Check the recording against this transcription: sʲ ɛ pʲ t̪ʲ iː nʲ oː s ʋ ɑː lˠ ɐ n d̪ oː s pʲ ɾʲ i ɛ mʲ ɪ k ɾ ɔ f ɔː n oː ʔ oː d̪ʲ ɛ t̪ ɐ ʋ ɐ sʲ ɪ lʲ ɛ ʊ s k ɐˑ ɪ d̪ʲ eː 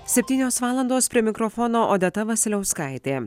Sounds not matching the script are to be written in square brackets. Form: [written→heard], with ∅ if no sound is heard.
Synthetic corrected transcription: sʲ ɛ pʲ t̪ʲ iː nʲ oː s ʋ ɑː lˠ ɐ n d̪ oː s pʲ ɾʲ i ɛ mʲ ɪ k ɾ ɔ f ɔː n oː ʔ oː d̪ʲ ɛ t̪ ɐ ʋ ɐ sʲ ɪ lʲ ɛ ʊ s k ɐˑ ɪ [d̪ʲ→t̪ʲ] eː